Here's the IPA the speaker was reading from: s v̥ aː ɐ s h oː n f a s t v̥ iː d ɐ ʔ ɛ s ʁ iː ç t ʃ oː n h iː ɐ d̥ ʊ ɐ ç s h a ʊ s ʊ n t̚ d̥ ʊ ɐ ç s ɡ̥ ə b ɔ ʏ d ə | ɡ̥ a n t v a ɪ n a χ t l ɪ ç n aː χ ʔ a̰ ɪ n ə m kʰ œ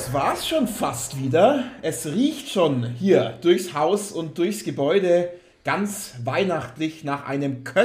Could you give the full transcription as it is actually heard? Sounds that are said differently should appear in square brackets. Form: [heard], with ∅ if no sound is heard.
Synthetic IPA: s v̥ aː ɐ s [ʃ] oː n f a s t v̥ iː d ɐ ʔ ɛ s ʁ iː ç t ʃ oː n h iː ɐ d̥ ʊ ɐ ç s h a ʊ s ʊ n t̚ d̥ ʊ ɐ ç s ɡ̥ ə b ɔ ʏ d ə | ɡ̥ a n [t͡s] v a ɪ n a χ t l ɪ ç n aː χ ʔ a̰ ɪ n ə m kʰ œ